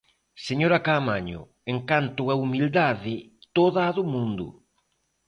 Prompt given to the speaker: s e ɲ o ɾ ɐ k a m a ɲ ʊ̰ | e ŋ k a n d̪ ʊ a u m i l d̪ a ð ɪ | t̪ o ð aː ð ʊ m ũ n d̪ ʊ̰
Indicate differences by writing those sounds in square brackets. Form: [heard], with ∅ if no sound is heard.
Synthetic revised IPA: s e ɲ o ɾ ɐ k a m a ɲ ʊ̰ | e ŋ k a n [t̪] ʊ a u m i l d̪ a ð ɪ | t̪ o ð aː ð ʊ m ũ n d̪ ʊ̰